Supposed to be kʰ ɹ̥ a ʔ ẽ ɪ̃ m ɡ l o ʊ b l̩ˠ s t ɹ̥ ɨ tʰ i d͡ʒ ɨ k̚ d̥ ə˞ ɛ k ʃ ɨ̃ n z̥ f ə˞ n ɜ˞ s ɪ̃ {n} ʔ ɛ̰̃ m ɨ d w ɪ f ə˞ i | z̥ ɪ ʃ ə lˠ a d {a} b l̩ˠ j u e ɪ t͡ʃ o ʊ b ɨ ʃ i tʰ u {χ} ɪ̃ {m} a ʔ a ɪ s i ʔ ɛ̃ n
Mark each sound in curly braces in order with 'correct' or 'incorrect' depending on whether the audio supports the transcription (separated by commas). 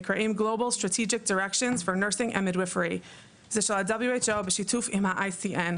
incorrect, incorrect, incorrect, correct